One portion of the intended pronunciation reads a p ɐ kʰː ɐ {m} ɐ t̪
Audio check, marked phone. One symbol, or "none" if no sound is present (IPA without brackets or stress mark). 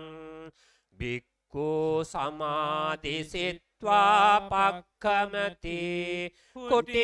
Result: m